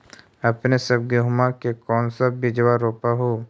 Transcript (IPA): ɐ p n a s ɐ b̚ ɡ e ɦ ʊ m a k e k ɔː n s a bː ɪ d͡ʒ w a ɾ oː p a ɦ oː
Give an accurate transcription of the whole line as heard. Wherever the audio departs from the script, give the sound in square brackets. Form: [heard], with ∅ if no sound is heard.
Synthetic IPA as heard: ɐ p n [e] s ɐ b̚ ɡ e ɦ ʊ m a k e k ɔː n s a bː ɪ d͡ʒ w a ɾ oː p a ɦ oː

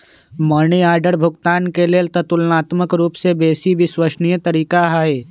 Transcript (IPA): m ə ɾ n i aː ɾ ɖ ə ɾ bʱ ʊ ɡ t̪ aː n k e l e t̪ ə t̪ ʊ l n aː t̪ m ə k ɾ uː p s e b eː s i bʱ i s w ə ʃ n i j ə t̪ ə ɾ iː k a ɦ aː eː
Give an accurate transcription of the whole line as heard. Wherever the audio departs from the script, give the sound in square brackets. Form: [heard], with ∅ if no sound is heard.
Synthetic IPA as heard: m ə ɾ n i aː ɾ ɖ ə ɾ bʱ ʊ ɡ t̪ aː n k e l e t̪ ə t̪ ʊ l n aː t̪ m ə k ɾ uː p s e b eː s i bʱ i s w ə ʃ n i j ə t̪ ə ɾ iː k a ɦ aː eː

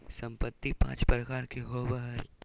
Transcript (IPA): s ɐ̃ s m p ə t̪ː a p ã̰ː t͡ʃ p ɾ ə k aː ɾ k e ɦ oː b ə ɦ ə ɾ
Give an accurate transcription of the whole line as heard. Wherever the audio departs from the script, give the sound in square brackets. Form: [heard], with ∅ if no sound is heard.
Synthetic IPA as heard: s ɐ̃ [∅] m p ə t̪ː [i] p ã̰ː t͡ʃ p ɾ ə k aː ɾ k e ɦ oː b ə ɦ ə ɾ

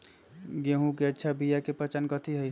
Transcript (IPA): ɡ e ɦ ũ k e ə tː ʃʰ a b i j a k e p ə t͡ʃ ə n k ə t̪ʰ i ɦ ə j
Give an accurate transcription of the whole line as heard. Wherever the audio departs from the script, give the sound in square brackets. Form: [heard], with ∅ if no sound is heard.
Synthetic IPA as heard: ɡ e ɦ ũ k e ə tː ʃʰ a b i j a k e p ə t͡ʃ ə n k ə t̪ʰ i ɦ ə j

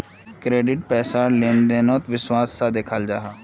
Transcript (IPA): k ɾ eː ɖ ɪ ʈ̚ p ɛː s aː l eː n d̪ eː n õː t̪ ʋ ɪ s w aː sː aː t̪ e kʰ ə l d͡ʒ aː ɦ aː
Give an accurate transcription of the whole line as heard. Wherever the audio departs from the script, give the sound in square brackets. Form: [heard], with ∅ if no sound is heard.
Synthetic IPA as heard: k ɾ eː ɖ ɪ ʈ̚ p ɛː s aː l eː n d̪ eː n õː t̪ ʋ ɪ s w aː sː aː [d̪] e kʰ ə l d͡ʒ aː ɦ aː

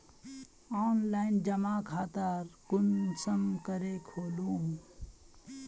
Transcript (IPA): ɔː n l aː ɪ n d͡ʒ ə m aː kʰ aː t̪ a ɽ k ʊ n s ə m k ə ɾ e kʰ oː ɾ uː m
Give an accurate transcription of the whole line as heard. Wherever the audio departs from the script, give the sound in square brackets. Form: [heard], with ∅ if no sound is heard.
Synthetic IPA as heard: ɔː n l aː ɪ n d͡ʒ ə m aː kʰ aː t̪ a [ɾ] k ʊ n s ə m k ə ɾ e kʰ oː [l] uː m

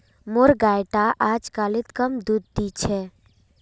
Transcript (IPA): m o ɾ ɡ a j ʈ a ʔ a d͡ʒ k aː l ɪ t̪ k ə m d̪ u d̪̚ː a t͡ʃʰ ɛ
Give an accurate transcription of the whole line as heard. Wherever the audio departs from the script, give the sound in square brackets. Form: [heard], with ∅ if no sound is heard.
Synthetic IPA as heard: m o ɾ ɡ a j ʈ a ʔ a d͡ʒ k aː l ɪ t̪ k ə m d̪ u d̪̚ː [i] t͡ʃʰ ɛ

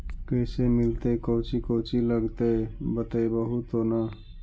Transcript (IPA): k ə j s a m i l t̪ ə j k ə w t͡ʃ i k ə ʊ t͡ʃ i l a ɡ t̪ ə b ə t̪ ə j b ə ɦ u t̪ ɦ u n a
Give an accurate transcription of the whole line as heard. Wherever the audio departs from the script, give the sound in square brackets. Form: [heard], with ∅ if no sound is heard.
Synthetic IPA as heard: k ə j s [e] m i l t̪ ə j k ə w t͡ʃ i k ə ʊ t͡ʃ i l [ə] ɡ t̪ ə b ə t̪ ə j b ə ɦ u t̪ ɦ [o] n a

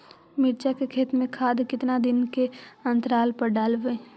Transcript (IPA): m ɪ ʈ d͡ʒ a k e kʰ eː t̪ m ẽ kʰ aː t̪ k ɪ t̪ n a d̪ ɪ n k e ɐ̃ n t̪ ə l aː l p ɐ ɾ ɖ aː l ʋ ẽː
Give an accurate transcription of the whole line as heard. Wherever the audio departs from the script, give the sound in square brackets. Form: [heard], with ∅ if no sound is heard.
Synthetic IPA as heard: m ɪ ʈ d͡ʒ a k e kʰ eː t̪ m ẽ kʰ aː [d̪] k ɪ t̪ n a d̪ ɪ n k e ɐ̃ n t̪ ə [ɾ] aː l p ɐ ɾ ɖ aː l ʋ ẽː

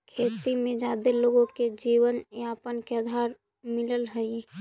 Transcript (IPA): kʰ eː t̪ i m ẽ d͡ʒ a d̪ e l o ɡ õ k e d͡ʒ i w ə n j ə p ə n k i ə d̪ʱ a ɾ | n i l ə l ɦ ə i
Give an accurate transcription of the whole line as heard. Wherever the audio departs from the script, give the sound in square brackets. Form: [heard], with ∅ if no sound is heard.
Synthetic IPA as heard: kʰ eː t̪ i m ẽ d͡ʒ a d̪ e l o ɡ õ k e d͡ʒ i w ə n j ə p ə n k [e] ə d̪ʱ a ɾ | [m] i l ə l ɦ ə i

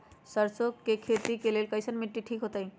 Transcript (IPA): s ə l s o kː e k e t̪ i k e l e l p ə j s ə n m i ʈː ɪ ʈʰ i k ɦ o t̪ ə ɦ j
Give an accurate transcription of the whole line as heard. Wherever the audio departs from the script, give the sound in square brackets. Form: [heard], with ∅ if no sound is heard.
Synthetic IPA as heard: s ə [ɾ] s o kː e [kʰ] e t̪ i k e l e l [k] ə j s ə n m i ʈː [i] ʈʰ i k ɦ o t̪ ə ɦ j

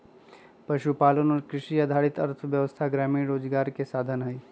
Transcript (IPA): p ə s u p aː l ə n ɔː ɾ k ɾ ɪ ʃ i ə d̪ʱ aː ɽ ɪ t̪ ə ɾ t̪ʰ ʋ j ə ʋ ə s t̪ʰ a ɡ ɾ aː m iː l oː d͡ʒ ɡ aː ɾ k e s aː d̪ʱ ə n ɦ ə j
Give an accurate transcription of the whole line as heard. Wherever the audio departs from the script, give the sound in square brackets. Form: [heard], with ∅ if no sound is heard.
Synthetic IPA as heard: p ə [ʃ] u p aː l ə n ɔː ɾ k ɾ ɪ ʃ i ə d̪ʱ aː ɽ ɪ t̪ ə ɾ t̪ʰ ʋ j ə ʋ ə s t̪ʰ a ɡ ɾ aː m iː [ɾ] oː d͡ʒ ɡ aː ɾ k e s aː d̪ʱ ə n ɦ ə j

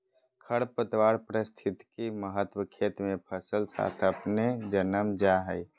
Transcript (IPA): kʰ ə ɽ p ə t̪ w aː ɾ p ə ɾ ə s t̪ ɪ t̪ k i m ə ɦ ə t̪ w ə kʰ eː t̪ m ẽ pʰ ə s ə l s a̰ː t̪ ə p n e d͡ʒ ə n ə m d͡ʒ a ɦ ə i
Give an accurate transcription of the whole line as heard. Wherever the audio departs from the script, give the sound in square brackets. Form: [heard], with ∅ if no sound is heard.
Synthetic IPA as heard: kʰ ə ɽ p ə t̪ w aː ɾ p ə ɾ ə s [t̪ʰ] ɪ t̪ k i m ə ɦ ə t̪ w ə kʰ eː t̪ m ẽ pʰ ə s ə l s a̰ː [t̪ʰ] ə p n e d͡ʒ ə n ə m d͡ʒ a ɦ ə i

